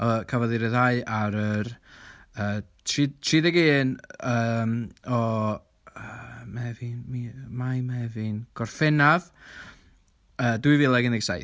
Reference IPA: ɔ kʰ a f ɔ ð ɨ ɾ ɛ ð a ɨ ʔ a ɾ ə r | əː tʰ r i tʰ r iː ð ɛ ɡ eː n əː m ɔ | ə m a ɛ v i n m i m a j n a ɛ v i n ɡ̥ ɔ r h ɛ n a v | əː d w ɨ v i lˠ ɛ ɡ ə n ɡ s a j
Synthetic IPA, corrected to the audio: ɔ kʰ a v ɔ ð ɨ ɾ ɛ ð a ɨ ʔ a ɾ ə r | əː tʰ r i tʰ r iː ð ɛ ɡ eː n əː m ɔ | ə m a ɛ v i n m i m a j m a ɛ v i n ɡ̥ ɔ r f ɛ n a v | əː d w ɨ v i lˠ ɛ ɡ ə n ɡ s a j